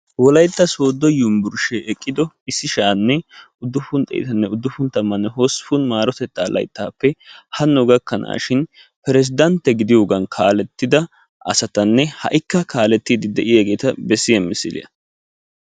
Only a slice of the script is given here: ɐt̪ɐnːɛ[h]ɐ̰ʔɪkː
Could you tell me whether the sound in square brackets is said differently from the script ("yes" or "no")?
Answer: no